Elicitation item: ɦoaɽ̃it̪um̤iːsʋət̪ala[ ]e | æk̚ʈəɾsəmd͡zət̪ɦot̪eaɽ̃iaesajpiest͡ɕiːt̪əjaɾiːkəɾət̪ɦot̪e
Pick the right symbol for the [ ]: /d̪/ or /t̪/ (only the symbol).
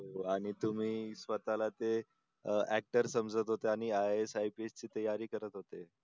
t̪